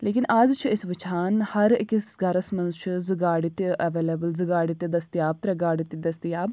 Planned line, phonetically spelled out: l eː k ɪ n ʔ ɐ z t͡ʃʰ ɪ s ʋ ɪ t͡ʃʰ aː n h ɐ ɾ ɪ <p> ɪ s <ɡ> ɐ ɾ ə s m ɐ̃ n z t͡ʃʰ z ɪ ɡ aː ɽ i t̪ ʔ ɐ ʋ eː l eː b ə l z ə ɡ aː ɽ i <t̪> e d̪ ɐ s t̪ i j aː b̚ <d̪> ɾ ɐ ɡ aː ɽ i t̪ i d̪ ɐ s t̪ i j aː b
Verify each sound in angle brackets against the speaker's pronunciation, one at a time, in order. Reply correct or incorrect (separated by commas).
incorrect, correct, correct, incorrect